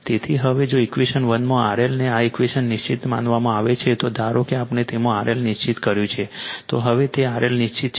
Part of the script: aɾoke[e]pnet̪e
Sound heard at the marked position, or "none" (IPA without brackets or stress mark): a